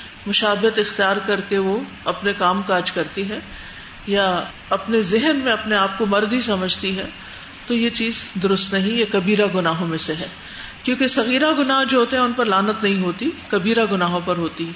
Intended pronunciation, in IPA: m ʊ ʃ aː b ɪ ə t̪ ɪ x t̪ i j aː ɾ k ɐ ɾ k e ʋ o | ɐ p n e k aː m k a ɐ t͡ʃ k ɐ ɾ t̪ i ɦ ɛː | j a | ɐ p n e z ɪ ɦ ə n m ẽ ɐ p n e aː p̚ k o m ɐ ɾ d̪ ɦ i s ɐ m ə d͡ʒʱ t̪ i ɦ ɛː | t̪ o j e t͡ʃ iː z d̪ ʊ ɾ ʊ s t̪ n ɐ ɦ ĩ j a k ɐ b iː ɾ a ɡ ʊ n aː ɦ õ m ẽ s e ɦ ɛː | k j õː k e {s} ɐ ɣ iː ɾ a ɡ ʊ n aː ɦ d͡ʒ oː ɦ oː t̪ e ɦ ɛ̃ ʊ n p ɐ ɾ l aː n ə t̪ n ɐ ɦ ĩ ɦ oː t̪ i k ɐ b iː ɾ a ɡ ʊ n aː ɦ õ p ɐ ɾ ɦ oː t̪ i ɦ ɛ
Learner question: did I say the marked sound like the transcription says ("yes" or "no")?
yes